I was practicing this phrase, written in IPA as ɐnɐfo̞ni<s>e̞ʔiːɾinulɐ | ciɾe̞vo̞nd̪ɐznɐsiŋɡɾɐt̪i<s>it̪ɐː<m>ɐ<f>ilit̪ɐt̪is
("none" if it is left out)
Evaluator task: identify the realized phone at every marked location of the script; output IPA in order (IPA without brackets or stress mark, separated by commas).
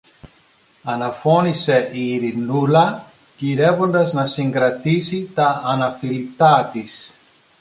s, s, n, f